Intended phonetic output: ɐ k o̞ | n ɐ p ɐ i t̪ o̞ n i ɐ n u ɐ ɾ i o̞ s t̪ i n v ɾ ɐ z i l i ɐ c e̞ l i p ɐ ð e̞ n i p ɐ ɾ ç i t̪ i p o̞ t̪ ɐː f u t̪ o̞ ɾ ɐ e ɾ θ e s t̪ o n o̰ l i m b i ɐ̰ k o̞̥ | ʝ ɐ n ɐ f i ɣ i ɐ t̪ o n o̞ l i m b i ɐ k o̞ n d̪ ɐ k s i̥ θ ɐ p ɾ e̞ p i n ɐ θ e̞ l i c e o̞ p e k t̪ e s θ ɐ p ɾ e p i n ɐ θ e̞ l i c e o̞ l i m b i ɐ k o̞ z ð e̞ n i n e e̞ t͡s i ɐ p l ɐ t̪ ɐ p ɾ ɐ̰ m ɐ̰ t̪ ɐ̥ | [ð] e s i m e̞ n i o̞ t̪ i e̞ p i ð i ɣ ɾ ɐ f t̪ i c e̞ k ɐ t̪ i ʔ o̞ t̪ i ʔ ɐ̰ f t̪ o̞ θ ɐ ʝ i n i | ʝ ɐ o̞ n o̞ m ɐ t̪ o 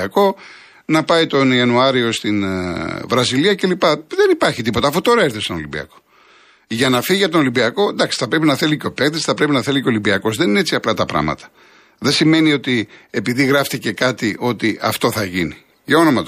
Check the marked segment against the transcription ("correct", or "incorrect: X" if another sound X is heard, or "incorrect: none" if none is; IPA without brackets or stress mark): correct